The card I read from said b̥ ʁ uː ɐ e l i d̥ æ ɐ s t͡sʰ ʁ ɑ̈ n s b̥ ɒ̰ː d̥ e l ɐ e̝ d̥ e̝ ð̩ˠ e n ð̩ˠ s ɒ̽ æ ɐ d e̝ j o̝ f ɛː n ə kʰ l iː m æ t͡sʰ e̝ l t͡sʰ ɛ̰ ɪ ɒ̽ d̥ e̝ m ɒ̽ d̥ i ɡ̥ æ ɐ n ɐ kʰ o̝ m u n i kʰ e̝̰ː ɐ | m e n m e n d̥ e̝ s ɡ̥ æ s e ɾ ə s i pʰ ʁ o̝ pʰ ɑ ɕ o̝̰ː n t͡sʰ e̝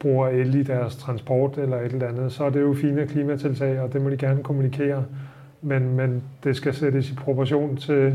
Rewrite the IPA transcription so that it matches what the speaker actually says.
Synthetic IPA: b̥ ʁ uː ɐ e l i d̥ æ ɐ s t͡sʰ ʁ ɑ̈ n s b̥ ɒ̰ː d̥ e l ɐ e̝ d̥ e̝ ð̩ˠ æ n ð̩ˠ s ɒ̽ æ ɐ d e̝ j o̝ f iː n ə kʰ l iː m æ t͡sʰ e̝ l t͡sʰ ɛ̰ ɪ ɒ̽ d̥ e̝ m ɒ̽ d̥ i ɡ̥ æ ɐ n ə kʰ o̝ m u n i kʰ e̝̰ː ɐ | m e n m e n d̥ e̝ s ɡ̥ æ s e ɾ ə s i pʰ ʁ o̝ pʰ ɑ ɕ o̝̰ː n t͡sʰ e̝